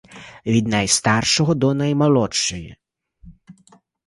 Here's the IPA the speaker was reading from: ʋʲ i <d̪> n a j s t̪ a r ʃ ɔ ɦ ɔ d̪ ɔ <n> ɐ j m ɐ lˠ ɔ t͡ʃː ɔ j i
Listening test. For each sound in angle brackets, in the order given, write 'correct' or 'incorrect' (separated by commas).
correct, correct